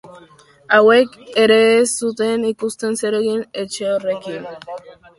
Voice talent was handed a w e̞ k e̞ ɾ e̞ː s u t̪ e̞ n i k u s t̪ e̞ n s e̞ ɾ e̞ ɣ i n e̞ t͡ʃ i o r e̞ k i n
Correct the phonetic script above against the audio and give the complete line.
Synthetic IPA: a w e̞ k e̞ ɾ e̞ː s u t̪ e̞ n i k u s t̪ e̞ n s e̞ ɾ e̞ ɣ i n e̞ t͡ʃ e o r e̞ k i n